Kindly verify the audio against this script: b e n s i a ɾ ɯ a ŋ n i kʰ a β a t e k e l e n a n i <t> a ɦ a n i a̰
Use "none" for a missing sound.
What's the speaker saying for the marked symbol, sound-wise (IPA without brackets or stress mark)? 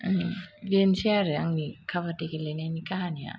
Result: k